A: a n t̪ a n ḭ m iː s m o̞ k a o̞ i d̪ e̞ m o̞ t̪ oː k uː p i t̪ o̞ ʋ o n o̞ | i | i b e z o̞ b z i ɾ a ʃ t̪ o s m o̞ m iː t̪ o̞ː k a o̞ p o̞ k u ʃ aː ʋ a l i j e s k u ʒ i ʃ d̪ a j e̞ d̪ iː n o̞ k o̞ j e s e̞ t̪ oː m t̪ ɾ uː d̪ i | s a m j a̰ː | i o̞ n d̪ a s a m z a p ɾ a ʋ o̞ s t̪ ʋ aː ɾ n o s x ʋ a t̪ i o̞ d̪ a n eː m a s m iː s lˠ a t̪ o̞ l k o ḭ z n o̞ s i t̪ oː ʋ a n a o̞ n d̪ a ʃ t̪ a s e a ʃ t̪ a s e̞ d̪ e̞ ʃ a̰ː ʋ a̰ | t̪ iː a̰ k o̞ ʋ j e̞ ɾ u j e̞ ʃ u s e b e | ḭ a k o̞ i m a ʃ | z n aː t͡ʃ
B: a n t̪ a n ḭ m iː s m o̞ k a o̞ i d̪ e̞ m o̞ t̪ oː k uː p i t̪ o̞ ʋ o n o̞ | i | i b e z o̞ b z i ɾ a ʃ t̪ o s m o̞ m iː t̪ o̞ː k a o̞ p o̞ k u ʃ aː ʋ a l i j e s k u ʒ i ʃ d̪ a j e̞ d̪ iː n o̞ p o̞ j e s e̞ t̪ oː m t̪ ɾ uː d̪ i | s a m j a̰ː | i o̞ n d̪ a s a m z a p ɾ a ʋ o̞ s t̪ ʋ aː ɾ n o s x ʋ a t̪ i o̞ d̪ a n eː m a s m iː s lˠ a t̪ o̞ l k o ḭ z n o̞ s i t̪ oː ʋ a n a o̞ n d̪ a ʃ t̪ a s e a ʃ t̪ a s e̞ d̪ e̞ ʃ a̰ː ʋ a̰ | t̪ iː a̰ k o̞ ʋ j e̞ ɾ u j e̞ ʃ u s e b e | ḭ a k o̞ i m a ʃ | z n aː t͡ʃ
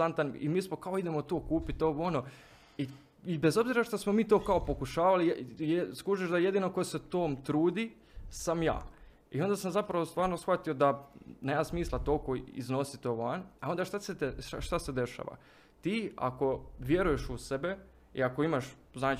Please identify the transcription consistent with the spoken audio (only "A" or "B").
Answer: A